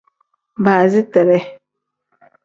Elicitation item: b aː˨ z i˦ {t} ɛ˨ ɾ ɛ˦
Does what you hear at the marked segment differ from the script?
no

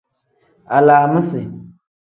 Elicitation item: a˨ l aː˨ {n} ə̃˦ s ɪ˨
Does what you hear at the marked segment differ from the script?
yes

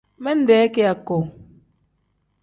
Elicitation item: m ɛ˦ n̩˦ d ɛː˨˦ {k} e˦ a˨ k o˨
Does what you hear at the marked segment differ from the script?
no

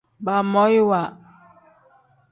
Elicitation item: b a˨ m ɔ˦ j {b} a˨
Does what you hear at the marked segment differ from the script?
yes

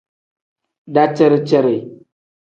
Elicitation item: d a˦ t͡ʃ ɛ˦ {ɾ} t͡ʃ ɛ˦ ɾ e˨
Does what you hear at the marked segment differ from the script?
no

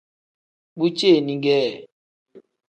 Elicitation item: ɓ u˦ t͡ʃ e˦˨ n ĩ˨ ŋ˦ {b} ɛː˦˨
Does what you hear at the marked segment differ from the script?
yes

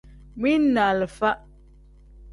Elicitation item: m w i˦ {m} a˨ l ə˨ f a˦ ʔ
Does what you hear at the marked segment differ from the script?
yes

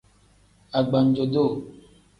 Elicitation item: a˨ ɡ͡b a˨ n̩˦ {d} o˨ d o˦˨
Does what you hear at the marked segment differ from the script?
yes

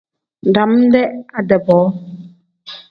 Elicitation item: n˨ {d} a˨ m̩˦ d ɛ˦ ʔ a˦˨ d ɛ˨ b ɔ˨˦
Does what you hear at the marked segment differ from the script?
no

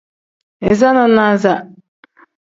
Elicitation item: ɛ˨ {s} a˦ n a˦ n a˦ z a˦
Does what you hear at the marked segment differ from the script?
yes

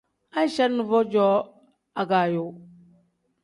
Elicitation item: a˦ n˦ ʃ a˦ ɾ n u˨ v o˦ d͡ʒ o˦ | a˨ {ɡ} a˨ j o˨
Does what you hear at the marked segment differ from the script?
no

